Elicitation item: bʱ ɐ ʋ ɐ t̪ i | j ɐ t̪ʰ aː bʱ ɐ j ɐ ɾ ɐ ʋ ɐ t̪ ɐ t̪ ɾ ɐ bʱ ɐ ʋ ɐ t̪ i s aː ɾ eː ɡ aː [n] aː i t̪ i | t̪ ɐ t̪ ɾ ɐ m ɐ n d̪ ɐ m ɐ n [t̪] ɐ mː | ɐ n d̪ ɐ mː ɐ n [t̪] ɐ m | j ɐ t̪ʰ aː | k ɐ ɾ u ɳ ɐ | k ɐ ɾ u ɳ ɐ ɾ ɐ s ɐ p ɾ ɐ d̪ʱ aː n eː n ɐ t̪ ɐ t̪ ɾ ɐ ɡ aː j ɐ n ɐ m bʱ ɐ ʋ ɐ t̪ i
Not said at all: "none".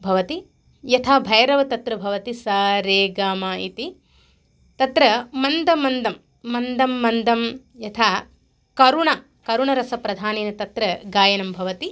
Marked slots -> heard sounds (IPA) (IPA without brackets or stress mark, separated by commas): m, d̪, d̪